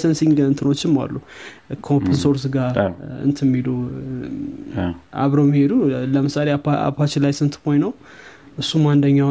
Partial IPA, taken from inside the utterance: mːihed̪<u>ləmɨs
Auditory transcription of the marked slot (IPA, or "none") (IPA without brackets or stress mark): u